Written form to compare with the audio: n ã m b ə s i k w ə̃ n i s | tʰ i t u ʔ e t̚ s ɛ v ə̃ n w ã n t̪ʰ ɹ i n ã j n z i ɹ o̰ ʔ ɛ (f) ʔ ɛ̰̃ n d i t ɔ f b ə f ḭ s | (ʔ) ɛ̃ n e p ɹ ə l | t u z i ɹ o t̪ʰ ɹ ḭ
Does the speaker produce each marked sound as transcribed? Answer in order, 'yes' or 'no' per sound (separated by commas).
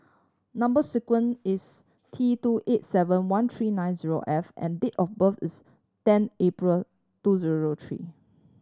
yes, no